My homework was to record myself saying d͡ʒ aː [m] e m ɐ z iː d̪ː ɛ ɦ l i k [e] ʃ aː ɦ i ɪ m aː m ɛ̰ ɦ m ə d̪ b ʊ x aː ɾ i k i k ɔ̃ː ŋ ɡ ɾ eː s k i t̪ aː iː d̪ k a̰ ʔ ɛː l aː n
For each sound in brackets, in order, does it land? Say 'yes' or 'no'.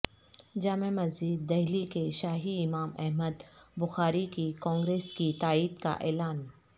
yes, yes

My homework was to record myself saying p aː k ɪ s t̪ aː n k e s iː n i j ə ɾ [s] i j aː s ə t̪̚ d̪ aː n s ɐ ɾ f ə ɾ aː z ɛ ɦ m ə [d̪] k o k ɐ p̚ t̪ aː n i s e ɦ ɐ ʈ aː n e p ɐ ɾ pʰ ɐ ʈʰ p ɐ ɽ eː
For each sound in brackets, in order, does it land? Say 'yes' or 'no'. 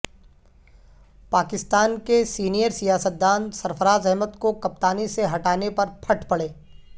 yes, no

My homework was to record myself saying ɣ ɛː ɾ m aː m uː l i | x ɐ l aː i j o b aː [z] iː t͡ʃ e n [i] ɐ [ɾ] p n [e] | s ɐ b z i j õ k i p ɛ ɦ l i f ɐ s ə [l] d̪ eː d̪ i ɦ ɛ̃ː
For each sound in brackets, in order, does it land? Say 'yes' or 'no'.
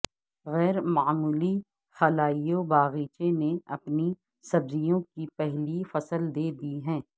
no, no, no, no, yes

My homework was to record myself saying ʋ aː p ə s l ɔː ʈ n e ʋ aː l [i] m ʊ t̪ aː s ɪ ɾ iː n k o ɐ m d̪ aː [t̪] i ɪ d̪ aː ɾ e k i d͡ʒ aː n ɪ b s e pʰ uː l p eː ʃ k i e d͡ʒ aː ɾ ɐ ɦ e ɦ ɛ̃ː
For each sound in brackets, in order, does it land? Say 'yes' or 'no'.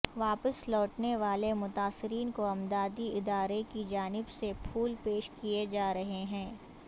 no, no

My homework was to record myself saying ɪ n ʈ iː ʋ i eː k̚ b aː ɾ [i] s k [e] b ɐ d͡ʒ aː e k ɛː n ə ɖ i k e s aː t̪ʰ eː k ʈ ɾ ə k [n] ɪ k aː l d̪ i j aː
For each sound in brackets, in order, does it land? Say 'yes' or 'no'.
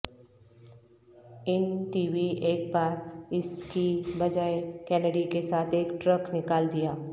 no, no, yes

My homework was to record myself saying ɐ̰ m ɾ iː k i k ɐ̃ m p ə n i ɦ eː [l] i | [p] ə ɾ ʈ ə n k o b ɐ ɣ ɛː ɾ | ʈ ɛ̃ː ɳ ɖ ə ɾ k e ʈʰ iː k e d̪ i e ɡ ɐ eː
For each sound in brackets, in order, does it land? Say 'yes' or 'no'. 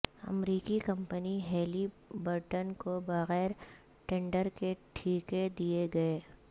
yes, no

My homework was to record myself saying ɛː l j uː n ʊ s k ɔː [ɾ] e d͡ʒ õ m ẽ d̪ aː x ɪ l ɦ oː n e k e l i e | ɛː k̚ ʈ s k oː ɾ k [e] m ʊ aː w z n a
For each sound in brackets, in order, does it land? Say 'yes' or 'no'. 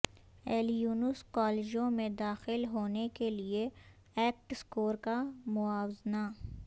no, no

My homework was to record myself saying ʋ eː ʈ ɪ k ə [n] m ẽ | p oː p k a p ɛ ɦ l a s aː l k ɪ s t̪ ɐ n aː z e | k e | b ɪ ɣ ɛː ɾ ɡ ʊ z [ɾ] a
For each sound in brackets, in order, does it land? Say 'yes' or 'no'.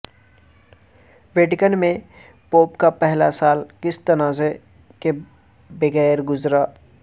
yes, yes

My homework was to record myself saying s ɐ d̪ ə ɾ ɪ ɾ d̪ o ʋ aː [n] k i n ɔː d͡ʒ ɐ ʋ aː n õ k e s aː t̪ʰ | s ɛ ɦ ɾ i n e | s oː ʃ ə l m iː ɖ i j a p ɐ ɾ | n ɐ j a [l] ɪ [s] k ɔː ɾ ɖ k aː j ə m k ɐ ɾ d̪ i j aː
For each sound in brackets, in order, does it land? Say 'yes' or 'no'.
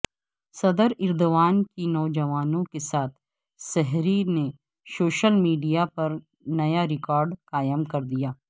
yes, no, no

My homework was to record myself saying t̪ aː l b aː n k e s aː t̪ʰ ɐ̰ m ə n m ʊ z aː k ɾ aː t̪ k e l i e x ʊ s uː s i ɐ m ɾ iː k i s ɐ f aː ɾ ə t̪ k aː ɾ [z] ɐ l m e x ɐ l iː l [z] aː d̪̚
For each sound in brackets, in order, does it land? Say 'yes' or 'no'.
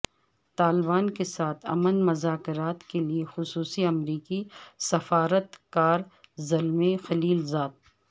yes, yes

